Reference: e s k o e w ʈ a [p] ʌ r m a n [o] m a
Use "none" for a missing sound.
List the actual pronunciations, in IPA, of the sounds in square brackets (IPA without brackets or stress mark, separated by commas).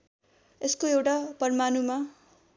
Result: p, u